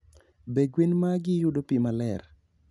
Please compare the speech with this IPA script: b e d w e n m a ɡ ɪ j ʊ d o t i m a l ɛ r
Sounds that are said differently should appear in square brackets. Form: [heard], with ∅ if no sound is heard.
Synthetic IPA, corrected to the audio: b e [ɡ] w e n m a ɡ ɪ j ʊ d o [p] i m a l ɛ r